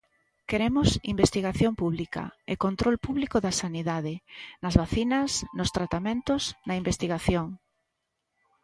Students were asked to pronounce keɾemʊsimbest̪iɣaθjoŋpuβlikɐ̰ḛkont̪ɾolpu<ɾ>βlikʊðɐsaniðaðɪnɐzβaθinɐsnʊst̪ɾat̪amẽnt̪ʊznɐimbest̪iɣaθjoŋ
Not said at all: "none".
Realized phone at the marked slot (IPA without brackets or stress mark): none